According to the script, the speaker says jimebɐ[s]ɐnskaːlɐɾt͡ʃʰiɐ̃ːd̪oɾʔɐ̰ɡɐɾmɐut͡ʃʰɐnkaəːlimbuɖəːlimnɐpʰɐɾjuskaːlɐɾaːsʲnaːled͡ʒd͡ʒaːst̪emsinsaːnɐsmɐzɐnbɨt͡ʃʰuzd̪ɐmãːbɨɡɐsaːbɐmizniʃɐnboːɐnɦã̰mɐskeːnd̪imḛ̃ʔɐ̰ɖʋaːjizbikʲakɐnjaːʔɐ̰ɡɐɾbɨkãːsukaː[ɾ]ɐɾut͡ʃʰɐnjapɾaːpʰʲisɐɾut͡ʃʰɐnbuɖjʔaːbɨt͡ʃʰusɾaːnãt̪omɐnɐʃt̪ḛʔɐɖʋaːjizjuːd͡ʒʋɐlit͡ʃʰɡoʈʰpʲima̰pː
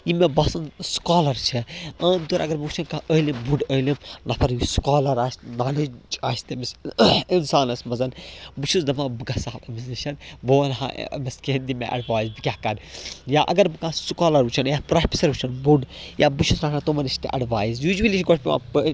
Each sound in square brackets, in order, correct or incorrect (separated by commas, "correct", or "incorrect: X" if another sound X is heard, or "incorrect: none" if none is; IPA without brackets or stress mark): correct, incorrect: l